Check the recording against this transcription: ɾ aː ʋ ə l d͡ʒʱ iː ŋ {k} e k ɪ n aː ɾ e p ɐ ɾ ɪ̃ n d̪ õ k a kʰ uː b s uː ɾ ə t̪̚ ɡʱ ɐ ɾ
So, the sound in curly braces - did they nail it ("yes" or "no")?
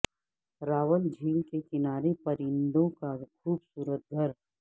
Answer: yes